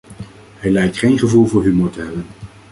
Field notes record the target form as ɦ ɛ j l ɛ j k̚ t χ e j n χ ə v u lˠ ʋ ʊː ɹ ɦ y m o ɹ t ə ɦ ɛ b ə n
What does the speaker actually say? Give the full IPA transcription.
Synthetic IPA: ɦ ɛ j l ɛ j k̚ t χ e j n χ ə v u lˠ v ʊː ɹ ɦ y m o ɹ t ə ɦ ɛ b ə n